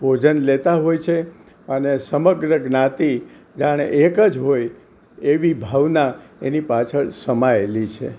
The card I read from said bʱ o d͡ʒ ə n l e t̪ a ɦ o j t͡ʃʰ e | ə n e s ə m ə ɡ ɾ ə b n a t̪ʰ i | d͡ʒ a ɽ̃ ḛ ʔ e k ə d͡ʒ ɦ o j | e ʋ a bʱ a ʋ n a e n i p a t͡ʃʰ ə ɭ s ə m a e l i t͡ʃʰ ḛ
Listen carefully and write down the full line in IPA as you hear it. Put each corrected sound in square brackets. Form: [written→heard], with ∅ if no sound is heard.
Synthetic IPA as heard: bʱ o d͡ʒ ə n l e t̪ a ɦ o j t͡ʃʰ e | ə n e s ə m ə ɡ ɾ ə [b→ɡ] n a [t̪ʰ→t̪] i | d͡ʒ a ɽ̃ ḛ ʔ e k ə d͡ʒ ɦ o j | e ʋ [a→i] bʱ a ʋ n a e n i p a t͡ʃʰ ə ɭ s ə m a e l i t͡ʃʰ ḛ